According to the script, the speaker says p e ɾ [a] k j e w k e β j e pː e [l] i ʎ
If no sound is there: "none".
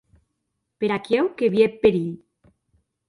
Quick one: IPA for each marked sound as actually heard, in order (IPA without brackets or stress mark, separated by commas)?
a, ɾ